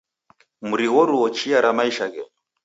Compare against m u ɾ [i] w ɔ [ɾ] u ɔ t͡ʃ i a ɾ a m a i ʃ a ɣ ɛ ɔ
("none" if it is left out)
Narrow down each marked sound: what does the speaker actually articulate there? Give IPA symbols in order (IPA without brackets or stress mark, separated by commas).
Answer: i, ɾ